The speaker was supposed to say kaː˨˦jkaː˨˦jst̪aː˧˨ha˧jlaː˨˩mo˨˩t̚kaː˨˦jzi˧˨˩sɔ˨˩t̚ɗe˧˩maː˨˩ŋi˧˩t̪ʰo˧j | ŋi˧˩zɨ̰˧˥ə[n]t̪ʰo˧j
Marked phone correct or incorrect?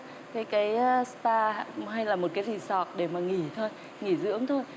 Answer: incorrect